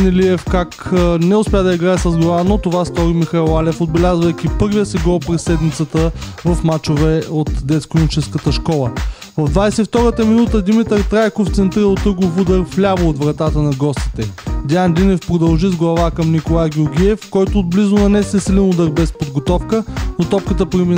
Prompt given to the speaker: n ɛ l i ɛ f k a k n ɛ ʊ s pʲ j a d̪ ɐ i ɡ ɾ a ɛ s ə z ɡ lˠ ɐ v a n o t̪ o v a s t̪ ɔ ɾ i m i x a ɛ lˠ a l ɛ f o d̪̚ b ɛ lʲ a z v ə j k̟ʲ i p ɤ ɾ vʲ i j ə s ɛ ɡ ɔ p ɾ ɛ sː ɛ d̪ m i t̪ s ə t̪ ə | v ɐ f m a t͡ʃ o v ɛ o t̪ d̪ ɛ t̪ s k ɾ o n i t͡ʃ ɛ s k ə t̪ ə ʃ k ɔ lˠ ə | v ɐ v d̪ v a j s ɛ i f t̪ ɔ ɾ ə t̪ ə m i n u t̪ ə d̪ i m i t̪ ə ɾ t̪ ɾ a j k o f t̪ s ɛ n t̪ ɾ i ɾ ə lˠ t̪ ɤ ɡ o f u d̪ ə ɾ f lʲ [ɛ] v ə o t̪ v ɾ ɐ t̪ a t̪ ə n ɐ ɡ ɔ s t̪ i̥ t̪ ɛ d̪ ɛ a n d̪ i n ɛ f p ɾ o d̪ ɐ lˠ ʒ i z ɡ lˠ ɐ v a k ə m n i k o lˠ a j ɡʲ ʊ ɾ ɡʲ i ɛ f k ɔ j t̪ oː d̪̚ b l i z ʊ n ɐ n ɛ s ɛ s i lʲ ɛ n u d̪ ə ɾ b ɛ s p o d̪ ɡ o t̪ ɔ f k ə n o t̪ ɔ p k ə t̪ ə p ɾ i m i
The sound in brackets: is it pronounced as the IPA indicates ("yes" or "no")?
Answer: no